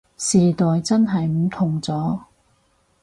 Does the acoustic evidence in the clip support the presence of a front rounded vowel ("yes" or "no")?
no